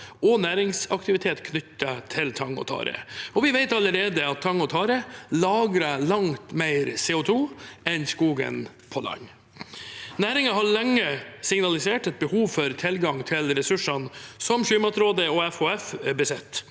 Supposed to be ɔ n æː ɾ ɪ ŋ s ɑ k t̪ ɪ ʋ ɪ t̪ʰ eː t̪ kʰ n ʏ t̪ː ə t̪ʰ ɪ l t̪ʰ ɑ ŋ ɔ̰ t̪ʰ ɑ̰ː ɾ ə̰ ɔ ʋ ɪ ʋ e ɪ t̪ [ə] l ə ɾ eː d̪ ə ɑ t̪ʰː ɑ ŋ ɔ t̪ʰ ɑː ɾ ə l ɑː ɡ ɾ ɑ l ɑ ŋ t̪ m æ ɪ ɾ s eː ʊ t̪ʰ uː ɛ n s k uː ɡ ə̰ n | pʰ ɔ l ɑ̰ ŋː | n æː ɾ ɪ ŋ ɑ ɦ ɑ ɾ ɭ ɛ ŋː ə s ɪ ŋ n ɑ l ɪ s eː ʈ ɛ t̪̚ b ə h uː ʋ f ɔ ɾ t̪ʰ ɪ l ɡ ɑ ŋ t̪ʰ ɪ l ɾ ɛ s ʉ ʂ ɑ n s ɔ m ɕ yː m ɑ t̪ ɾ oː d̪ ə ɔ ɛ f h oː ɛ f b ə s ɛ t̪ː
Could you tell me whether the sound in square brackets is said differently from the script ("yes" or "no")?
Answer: yes